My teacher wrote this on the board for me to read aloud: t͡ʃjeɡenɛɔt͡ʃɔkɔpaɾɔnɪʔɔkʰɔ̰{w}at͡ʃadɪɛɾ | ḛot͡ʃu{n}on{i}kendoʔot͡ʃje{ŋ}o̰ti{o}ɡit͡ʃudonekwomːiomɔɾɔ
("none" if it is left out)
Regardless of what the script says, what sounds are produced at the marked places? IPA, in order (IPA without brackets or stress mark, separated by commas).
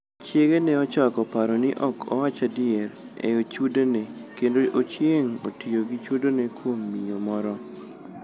w, d, e, ŋ, o